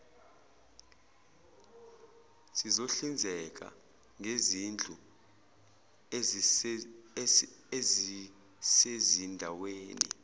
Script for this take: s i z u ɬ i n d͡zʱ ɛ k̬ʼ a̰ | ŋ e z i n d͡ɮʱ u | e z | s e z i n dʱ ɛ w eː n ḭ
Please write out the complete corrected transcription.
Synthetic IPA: s i z o ɬ i n d͡zʱ ɛ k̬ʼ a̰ | ŋ e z i n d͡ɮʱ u | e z | s e z i n dʱ a w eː n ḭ